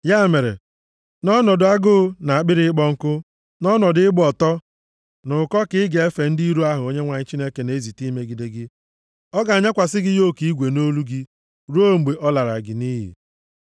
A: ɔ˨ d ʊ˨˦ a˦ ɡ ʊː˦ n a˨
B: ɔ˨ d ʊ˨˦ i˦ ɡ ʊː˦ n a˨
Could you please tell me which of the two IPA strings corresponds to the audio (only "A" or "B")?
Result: A